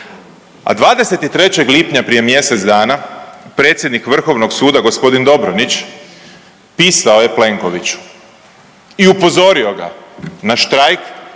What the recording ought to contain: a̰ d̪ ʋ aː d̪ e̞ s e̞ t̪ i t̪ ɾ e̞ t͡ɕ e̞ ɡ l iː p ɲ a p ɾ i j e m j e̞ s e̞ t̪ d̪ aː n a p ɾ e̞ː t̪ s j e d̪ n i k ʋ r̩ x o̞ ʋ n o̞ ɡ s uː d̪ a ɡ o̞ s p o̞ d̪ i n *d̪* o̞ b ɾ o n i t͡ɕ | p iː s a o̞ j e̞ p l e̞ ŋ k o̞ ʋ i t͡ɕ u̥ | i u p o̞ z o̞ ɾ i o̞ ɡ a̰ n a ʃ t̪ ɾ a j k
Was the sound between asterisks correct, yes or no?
yes